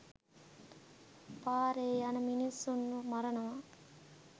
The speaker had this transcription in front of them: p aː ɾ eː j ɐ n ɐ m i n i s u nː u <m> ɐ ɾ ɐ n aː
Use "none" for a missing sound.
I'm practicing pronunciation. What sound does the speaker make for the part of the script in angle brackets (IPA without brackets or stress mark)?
m